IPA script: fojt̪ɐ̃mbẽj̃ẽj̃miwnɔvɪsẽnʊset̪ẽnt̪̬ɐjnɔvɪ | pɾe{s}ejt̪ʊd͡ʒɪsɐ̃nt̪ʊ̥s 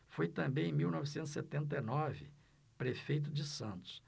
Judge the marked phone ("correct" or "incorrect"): incorrect